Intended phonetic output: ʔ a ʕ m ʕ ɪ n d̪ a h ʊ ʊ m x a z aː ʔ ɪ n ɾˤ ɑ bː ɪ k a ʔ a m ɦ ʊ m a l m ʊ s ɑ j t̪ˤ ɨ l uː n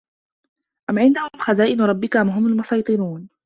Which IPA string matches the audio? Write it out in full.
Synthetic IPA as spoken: ʔ a m ʕ ɪ n d̪ a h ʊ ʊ m x a z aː ʔ ɪ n ɾˤ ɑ bː ɪ k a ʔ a m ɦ ʊ m a l m ʊ s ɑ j t̪ˤ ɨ ɾ uː n